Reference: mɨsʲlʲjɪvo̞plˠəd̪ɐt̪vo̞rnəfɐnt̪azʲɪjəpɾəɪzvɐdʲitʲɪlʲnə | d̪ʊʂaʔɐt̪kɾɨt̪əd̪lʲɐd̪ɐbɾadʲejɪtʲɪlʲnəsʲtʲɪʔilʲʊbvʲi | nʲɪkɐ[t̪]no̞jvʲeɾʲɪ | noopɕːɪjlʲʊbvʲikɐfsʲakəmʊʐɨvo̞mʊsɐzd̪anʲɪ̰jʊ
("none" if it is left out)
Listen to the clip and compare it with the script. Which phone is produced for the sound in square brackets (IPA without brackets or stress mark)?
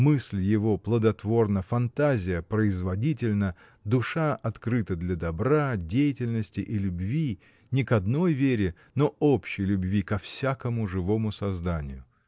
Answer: d̪